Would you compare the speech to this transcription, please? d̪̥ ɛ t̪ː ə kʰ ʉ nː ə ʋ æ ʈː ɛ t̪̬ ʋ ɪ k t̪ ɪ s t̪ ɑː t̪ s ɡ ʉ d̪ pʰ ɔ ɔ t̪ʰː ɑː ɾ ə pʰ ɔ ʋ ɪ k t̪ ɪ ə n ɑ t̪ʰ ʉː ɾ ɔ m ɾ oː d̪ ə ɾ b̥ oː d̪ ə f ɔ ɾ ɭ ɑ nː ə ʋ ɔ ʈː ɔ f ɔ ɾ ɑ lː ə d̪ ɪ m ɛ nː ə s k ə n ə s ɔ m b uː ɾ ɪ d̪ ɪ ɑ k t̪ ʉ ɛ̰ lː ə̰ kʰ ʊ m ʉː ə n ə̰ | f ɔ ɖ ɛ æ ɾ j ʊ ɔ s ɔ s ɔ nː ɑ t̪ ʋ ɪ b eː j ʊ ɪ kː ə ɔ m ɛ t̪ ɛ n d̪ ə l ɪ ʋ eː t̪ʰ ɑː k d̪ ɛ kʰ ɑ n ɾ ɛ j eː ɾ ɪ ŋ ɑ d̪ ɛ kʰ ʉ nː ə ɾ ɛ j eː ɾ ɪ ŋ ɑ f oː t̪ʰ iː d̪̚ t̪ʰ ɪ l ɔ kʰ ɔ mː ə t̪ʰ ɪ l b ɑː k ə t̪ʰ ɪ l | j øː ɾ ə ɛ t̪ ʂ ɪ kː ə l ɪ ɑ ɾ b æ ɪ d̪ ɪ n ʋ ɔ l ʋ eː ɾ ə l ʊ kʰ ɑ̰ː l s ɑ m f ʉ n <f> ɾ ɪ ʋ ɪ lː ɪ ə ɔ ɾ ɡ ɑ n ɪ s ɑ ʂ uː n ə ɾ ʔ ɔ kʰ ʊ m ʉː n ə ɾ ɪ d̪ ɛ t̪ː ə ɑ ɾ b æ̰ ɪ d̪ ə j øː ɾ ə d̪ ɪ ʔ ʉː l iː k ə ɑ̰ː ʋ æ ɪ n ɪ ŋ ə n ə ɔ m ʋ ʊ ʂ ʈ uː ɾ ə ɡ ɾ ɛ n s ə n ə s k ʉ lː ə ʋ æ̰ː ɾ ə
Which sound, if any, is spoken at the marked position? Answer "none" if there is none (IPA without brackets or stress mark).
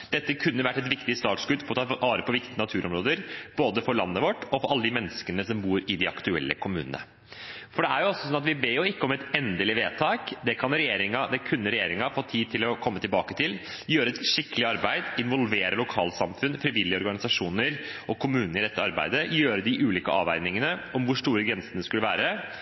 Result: f